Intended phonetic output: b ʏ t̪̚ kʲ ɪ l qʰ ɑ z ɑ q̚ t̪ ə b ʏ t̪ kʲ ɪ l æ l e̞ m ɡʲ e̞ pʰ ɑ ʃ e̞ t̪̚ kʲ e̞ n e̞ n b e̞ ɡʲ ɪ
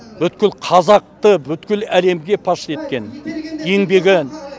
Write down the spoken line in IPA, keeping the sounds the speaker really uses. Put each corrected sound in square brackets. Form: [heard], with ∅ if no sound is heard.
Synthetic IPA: b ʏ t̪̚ kʲ ɪ l qʰ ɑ z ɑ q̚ t̪ ə b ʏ t̪ kʲ ɪ l æ l e̞ m ɡʲ e̞ pʰ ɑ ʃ e̞ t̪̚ kʲ e̞ n e̞ [ŋ] b e̞ ɡʲ ɪ